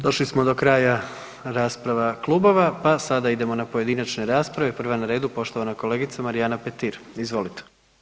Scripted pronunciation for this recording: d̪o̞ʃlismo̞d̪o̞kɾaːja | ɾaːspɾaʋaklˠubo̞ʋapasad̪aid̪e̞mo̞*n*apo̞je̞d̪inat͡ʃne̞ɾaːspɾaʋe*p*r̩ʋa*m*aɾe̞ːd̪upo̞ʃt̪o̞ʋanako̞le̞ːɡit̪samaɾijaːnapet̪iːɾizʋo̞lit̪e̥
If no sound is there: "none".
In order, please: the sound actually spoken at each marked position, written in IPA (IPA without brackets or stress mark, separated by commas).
n, p, n